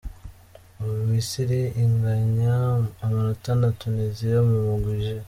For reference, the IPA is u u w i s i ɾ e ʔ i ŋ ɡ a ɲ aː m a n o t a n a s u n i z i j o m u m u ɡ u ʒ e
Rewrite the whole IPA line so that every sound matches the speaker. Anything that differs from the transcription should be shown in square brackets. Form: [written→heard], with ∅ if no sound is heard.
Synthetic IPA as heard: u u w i s i ɾ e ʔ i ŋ ɡ a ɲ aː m a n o t a n a [s→t] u n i z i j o m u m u ɡ u ʒ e